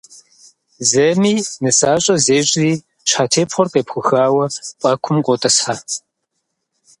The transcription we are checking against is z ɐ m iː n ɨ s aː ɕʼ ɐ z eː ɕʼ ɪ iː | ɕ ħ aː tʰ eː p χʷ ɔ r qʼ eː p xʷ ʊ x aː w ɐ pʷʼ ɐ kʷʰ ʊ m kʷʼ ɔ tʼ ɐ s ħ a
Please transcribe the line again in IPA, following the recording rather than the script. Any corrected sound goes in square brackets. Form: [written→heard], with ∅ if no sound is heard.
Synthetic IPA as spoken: z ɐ m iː n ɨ s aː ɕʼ ɐ z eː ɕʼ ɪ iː | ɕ ħ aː tʰ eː p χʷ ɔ r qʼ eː p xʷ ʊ x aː w ɐ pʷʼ ɐ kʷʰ ʊ m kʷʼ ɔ tʼ ɐ s ħ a